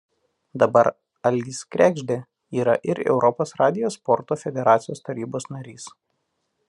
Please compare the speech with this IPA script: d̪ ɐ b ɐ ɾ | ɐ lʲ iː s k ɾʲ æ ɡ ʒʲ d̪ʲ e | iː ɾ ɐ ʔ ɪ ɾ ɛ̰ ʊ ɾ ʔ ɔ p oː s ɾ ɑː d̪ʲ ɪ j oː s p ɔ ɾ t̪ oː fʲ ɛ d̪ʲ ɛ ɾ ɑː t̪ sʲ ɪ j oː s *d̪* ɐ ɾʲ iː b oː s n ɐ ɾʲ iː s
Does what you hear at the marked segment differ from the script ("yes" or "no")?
yes